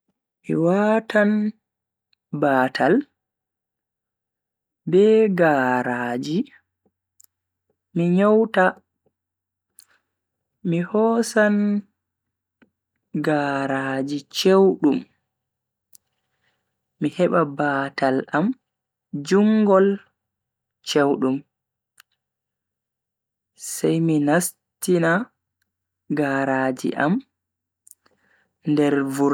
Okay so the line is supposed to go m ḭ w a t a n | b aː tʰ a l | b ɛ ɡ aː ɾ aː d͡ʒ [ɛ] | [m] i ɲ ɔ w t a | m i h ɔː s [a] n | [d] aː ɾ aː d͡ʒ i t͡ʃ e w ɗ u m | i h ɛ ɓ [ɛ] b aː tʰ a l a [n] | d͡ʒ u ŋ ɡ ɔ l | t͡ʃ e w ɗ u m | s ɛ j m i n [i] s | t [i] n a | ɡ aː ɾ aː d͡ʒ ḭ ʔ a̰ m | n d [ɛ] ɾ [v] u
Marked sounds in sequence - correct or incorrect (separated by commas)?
incorrect, correct, correct, incorrect, incorrect, incorrect, incorrect, correct, correct, correct